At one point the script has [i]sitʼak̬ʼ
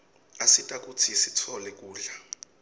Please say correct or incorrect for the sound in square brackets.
incorrect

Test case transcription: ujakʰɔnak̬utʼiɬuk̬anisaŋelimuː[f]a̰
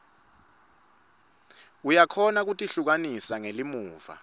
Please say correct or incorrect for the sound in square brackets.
incorrect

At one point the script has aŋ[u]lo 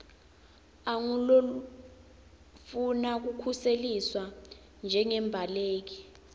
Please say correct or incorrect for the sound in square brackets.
correct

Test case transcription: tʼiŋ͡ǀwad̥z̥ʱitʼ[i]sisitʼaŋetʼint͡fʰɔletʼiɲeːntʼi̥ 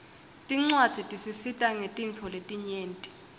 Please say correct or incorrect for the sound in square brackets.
correct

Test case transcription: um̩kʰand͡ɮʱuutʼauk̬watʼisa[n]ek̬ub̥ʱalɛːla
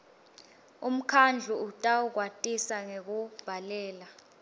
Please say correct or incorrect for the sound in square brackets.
incorrect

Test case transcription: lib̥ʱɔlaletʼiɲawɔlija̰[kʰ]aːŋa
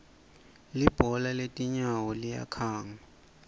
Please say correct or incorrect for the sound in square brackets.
correct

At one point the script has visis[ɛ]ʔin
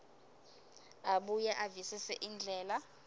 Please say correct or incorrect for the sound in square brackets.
correct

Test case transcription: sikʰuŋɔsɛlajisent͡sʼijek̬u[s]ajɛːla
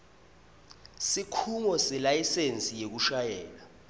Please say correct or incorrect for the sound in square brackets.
incorrect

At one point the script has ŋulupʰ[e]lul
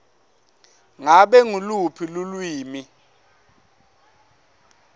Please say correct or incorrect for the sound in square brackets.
incorrect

